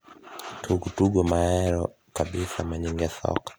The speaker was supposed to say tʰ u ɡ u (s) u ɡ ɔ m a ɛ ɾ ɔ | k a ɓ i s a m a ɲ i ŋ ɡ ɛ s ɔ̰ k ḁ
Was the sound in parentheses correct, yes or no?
no